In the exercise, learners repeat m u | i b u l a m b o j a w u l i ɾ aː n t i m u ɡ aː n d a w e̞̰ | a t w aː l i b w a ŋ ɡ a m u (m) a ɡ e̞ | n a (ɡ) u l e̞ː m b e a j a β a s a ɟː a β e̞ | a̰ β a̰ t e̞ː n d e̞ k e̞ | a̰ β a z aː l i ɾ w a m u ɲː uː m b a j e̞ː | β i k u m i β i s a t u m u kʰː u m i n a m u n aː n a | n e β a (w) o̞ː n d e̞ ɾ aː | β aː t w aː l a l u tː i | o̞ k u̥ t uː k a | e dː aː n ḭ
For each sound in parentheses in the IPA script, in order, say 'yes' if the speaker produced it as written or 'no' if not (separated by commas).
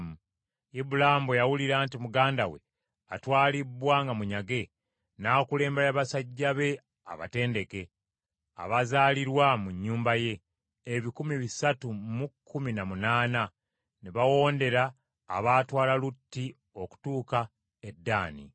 no, no, yes